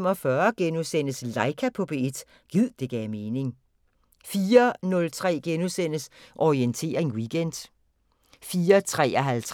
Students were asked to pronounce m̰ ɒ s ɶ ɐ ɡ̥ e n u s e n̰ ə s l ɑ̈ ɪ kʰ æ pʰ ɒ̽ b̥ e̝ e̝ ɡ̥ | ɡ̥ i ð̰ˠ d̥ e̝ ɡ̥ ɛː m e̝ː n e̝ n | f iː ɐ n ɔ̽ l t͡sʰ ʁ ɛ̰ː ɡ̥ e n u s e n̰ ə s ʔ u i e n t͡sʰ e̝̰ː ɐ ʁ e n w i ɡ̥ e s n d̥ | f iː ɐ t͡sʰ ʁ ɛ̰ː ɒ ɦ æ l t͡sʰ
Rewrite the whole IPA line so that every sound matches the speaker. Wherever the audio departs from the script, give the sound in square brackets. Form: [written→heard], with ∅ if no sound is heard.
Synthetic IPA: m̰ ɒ [s→f] ɶ ɐ ɡ̥ e n u s e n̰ ə s l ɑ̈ ɪ kʰ æ pʰ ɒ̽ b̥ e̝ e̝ [ɡ̥→d̥] | ɡ̥ i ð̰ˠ d̥ e̝ ɡ̥ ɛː m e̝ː n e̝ [n→ŋ] | f iː ɐ n ɔ̽ l t͡sʰ ʁ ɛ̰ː ɡ̥ e n u s e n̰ ə s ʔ [u→ɒ] i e n t͡sʰ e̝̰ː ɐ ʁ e [n→ŋ] w i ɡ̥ e [s→∅] n d̥ | f iː ɐ t͡sʰ ʁ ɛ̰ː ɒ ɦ æ l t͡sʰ